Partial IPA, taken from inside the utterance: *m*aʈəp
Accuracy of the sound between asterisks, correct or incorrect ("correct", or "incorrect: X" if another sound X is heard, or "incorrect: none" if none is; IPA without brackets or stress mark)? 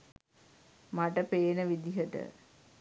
correct